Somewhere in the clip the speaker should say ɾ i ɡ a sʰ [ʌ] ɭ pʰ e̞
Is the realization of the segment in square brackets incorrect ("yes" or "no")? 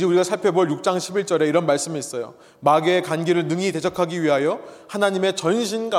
yes